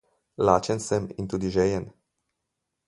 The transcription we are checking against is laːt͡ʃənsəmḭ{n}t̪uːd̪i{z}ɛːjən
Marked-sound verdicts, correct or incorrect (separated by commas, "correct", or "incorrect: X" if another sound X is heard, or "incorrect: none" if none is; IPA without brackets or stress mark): correct, incorrect: ʒ